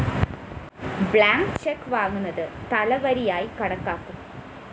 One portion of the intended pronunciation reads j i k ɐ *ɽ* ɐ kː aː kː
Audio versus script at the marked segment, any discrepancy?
no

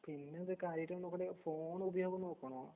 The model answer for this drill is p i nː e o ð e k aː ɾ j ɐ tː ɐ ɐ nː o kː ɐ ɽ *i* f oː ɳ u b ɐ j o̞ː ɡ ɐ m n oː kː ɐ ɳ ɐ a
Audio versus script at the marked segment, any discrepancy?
yes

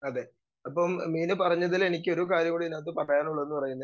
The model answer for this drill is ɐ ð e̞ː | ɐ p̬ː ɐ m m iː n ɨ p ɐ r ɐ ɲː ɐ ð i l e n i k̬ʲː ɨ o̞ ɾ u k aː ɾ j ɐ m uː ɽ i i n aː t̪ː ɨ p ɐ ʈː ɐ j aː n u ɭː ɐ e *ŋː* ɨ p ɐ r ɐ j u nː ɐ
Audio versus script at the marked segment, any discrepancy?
yes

